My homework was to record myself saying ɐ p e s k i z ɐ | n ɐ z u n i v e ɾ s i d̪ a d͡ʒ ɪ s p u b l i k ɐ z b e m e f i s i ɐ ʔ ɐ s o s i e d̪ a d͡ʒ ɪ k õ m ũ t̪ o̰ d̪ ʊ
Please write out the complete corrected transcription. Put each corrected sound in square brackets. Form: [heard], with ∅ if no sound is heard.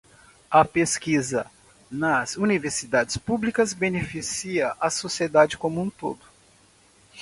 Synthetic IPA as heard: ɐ p e s k i z ɐ | n ɐ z u n i v e ɾ s i d̪ a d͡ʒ ɪ s p u b l i k ɐ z b e [n] e f i s i ɐ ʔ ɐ s o s i e d̪ a d͡ʒ ɪ k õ m ũ t̪ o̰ d̪ ʊ

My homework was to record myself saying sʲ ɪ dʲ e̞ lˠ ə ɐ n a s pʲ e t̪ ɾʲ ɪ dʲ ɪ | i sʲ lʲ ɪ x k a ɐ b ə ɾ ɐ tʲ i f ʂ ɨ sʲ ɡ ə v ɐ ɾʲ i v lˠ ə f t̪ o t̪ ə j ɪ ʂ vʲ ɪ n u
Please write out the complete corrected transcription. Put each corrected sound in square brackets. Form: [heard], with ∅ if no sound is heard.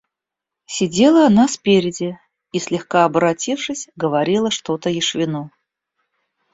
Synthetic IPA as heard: sʲ ɪ dʲ e̞ lˠ ə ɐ n a s pʲ e [∅] ɾʲ ɪ dʲ ɪ | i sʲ lʲ ɪ x k a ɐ b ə ɾ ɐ tʲ i f ʂ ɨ sʲ ɡ ə v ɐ ɾʲ i [∅] lˠ ə [ʂ] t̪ o t̪ ə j ɪ ʂ vʲ ɪ n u

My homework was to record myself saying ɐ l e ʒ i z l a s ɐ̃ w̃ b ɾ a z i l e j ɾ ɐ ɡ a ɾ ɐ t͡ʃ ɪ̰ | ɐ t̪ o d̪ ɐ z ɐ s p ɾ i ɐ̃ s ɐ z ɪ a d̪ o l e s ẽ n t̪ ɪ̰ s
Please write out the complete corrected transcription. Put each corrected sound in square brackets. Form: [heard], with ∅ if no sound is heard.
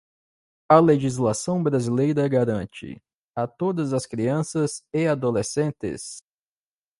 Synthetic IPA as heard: ɐ l e ʒ i z l a s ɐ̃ w̃ b ɾ a z i l e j ɾ ɐ ɡ a ɾ [ɐ̃] t͡ʃ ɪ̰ | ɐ t̪ o d̪ ɐ z ɐ s [k] ɾ i ɐ̃ s ɐ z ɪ a d̪ o l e s ẽ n t̪ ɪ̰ s

